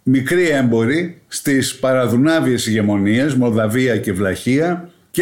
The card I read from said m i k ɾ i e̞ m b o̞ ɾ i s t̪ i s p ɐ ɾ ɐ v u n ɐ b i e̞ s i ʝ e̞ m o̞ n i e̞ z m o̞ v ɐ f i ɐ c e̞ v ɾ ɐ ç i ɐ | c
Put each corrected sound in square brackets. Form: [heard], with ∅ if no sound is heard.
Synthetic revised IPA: m i k ɾ i e̞ m b o̞ ɾ i s t̪ i s p ɐ ɾ ɐ [ð] u n ɐ [v] i e̞ s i ʝ e̞ m o̞ n i e̞ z m o̞ [ð] ɐ [v] i ɐ c e̞ v [l] ɐ ç i ɐ | c